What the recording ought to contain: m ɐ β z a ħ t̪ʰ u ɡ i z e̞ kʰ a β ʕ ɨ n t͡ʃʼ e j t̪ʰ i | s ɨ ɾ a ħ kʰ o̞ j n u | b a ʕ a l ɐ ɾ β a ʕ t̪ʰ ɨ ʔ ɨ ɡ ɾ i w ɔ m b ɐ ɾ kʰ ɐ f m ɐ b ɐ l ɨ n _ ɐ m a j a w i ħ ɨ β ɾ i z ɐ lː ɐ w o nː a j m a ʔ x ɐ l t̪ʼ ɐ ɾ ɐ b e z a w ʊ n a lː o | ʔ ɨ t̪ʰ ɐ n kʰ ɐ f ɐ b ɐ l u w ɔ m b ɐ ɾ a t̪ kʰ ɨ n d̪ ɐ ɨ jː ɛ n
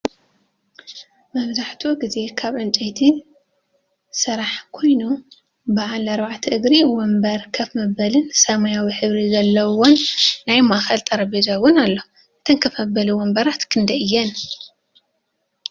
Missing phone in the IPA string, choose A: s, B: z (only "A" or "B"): A